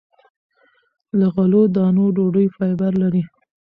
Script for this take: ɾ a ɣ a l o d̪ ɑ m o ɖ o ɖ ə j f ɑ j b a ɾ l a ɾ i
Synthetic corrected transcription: l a ɣ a l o d̪ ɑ n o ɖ o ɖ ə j f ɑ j b a ɾ l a ɾ i